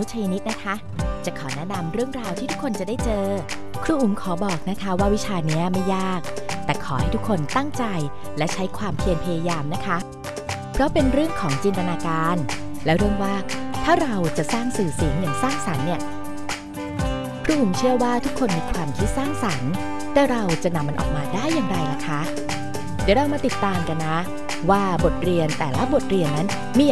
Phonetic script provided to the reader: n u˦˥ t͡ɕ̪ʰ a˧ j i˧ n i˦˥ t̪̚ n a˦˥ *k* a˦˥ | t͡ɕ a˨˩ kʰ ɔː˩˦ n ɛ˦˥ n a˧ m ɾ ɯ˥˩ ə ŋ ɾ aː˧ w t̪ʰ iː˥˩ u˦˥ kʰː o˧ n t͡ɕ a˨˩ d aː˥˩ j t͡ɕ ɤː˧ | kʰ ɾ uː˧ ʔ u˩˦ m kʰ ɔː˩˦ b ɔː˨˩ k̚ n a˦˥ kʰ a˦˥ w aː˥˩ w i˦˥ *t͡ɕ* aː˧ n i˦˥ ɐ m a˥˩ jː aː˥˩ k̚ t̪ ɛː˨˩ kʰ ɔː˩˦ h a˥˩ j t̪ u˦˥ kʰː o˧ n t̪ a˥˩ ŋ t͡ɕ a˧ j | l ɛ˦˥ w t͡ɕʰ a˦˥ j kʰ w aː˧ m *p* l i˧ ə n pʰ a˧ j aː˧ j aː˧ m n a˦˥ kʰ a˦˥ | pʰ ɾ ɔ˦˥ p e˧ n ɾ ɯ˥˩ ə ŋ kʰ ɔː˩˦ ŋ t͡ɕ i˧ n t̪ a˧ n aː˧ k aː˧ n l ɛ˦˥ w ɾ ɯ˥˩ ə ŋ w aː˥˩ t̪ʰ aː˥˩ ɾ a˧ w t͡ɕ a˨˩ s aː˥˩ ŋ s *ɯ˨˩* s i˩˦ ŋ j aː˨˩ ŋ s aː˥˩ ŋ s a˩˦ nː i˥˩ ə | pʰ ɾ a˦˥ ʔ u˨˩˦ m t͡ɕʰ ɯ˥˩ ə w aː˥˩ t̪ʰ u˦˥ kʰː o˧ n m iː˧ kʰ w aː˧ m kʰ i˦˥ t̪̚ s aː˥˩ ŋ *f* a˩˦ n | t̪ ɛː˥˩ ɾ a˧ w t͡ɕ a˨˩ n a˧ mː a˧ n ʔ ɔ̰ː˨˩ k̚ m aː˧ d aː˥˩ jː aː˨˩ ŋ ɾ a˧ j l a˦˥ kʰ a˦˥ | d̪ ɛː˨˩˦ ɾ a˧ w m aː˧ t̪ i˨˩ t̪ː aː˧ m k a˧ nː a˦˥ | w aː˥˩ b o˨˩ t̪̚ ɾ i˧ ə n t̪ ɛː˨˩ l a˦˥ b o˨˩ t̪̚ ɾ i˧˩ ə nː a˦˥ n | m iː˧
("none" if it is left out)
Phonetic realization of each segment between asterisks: kʰ, t͡ɕʰ, pʰ, ɯː˨˩, s

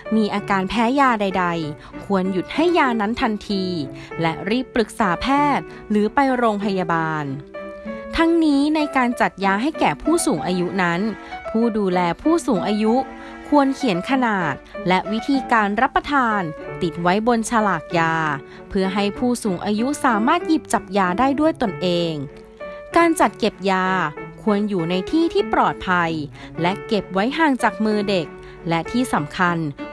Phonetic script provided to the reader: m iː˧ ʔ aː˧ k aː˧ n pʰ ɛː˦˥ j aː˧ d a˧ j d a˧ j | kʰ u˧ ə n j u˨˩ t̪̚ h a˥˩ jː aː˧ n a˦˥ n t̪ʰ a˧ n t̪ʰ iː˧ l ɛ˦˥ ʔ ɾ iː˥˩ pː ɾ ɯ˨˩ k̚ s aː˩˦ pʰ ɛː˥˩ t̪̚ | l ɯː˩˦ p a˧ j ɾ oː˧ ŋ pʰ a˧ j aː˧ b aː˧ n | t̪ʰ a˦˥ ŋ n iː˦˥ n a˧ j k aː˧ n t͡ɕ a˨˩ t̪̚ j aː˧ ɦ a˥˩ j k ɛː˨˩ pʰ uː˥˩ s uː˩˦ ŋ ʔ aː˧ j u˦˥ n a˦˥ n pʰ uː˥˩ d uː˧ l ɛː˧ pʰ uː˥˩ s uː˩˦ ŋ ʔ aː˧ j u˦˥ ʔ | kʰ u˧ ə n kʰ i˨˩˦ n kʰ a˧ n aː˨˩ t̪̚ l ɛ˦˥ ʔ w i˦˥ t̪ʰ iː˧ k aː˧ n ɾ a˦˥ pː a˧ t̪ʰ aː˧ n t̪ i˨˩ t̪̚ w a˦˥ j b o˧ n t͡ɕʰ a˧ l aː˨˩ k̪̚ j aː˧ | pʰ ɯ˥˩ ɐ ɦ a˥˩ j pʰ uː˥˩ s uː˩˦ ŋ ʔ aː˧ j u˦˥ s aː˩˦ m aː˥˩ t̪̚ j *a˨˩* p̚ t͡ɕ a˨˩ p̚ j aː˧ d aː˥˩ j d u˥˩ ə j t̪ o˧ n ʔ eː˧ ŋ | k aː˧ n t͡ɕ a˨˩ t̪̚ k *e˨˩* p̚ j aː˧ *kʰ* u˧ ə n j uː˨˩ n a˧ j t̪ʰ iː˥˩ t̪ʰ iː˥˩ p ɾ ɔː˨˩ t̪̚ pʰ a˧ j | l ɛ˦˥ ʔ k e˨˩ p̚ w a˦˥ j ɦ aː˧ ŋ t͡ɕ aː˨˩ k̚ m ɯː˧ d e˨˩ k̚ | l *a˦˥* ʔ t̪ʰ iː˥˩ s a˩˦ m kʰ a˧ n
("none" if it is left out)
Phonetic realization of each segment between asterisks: i˨˩, e˨˩, kʰ, ɛ˦˥

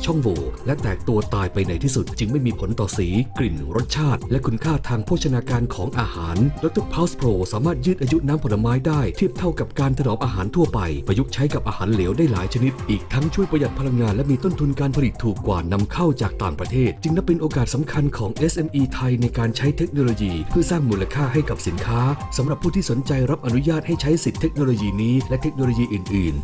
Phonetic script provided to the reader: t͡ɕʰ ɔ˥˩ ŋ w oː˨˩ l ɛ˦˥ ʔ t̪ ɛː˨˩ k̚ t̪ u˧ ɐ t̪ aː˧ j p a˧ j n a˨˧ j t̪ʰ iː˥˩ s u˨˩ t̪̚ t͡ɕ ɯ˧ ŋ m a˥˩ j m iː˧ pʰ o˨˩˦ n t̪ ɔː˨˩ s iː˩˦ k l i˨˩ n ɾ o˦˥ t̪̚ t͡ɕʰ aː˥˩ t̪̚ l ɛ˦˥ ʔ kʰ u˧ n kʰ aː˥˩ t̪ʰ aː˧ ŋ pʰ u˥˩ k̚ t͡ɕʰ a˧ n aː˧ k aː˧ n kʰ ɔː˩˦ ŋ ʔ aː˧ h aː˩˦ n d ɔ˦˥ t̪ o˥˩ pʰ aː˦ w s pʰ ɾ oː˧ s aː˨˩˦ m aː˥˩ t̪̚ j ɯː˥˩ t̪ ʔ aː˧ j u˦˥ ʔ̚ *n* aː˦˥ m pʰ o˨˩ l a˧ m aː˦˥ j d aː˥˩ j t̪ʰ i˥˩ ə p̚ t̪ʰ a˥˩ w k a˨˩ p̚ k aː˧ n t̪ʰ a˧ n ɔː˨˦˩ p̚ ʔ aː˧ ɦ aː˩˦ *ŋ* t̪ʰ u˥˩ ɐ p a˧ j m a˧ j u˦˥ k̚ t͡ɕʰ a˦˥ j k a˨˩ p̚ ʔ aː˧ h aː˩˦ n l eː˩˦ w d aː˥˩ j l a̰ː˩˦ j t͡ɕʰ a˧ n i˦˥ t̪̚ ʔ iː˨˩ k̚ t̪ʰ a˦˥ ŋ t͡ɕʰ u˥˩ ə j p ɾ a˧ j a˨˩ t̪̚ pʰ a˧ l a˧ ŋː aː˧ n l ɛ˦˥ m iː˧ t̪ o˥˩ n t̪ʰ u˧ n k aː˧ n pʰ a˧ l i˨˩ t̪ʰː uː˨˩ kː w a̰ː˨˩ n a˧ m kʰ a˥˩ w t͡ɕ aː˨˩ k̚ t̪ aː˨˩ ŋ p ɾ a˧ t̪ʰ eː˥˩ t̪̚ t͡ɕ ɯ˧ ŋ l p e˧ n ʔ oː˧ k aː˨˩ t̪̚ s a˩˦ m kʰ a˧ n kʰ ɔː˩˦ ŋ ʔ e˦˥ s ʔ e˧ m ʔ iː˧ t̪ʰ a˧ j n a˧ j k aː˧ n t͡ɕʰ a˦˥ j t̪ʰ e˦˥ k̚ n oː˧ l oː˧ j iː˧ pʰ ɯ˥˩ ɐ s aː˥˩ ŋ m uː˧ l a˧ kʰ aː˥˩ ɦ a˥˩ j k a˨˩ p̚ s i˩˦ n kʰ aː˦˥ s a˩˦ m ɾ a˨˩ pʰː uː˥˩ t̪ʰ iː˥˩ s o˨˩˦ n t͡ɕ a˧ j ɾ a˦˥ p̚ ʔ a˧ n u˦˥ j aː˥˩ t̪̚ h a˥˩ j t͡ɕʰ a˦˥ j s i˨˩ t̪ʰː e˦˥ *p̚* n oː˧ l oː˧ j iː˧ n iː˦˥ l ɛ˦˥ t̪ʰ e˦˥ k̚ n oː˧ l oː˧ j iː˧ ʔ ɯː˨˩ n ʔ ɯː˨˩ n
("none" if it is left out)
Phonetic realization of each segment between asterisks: n, n, k̚

